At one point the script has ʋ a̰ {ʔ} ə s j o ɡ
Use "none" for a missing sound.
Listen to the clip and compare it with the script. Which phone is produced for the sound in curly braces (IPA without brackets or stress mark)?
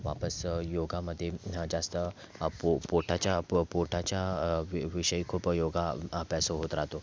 p